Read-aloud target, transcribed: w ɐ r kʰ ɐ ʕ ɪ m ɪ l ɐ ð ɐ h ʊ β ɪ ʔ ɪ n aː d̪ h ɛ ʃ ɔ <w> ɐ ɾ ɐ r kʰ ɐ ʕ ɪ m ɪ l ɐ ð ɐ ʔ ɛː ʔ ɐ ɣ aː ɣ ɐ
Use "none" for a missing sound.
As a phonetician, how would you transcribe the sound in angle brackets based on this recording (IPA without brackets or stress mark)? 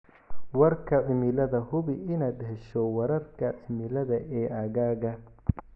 w